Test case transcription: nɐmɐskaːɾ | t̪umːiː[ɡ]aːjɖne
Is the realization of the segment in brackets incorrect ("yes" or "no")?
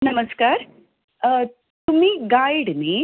no